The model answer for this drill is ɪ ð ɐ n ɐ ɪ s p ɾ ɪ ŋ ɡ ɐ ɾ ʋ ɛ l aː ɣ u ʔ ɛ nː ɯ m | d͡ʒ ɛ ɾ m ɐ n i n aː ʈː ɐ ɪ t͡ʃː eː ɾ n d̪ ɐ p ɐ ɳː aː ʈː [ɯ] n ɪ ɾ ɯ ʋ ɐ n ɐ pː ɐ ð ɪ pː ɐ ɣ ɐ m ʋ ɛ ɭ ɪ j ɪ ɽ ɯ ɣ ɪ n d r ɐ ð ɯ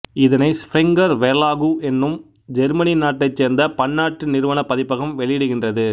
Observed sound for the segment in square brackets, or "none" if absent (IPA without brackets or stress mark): ɯ